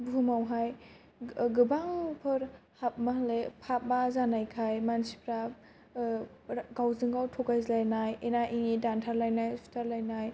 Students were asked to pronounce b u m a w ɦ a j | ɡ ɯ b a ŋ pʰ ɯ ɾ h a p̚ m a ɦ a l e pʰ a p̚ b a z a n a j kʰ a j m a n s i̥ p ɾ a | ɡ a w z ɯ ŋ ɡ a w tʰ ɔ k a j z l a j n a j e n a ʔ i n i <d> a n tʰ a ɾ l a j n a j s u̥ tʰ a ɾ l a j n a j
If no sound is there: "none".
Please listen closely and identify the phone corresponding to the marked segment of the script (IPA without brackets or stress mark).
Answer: d